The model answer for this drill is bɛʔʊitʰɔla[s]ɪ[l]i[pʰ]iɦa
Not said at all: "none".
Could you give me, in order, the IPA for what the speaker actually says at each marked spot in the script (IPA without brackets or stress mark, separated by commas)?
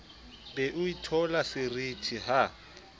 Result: s, r, tʰ